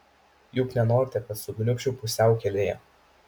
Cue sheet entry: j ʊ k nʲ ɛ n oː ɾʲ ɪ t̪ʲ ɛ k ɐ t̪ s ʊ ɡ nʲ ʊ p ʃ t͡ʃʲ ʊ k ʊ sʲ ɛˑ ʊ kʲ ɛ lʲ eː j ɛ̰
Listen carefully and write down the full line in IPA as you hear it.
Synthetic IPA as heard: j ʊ k nʲ ɛ n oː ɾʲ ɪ t̪ʲ ɛ k ɐ t̪ s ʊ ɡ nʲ ʊ k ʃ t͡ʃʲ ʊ p ʊ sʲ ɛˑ ʊ kʲ ɛ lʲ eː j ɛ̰